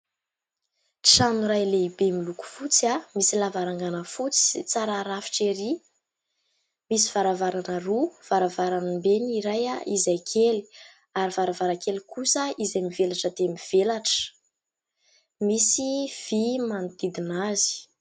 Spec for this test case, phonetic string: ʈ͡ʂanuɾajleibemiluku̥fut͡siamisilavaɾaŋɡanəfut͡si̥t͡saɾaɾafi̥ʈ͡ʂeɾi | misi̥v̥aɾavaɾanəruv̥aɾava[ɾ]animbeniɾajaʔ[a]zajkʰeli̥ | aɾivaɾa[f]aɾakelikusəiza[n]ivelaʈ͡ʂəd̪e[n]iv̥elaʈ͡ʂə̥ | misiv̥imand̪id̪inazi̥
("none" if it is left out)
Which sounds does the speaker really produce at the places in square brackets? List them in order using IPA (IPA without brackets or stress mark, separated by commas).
ɾ, i, v, m, m